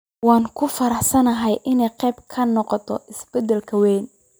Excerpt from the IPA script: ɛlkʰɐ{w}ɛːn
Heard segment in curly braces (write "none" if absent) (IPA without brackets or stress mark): w